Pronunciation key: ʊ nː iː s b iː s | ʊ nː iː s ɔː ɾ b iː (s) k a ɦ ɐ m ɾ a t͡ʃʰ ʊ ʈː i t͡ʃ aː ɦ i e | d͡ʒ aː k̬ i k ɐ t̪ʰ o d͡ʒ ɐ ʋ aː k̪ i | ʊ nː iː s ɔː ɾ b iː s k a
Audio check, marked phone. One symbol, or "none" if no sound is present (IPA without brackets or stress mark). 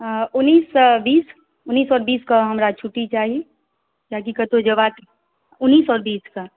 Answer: s